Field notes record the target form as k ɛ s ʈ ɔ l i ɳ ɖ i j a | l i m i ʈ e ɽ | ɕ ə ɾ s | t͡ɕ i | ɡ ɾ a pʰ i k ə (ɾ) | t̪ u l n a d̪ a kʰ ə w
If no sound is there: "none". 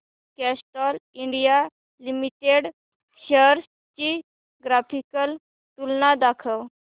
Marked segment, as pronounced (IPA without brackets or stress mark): l